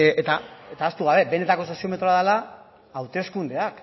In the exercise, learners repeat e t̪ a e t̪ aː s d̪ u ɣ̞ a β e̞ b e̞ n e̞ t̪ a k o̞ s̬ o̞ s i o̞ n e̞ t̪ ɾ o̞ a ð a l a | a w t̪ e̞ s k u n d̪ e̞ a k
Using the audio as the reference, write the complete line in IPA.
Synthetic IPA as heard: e t̪ a e t̪ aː s t̪ u ɣ̞ a β e̞ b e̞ n e̞ t̪ a k o̞ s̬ o̞ s i o̞ m e̞ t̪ ɾ o̞ a ð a l a | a w t̪ e̞ s k u n d̪ e̞ a k